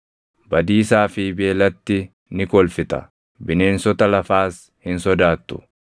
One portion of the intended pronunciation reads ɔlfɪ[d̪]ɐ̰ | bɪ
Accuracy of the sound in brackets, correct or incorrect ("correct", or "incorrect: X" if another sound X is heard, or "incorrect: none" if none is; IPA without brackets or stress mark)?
incorrect: t̪